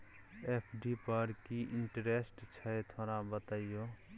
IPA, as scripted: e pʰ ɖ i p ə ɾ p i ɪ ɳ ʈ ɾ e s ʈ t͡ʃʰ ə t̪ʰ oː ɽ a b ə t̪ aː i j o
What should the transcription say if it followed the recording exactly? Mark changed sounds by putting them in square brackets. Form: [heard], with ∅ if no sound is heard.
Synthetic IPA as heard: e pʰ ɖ i p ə ɾ [k] i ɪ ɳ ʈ ɾ e s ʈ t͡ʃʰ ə t̪ʰ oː [ɾ] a b ə t̪ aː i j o